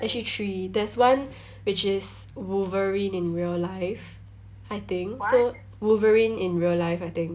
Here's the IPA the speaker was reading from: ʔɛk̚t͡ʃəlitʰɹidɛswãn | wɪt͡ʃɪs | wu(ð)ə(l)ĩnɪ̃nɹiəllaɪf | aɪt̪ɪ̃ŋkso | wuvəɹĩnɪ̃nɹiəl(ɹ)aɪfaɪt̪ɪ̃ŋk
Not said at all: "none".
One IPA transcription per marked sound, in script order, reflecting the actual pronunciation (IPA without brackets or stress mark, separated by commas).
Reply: v, ɹ, l